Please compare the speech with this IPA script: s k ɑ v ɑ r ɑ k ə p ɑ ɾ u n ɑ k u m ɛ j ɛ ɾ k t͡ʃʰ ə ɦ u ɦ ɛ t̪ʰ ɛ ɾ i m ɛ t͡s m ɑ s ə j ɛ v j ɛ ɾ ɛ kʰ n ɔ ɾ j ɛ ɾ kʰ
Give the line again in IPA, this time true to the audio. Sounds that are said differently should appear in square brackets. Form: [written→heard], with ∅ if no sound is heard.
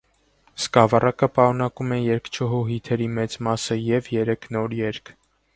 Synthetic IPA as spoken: s k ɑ v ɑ r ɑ k ə p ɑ ɾ u n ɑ k u m ɛ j ɛ ɾ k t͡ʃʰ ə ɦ u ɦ [ɛ→i] t̪ʰ ɛ ɾ i m ɛ t͡s m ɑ s ə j ɛ v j ɛ ɾ ɛ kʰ n ɔ ɾ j ɛ ɾ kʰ